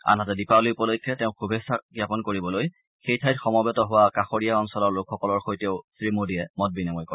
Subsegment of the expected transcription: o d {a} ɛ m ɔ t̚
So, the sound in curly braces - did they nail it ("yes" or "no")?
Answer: no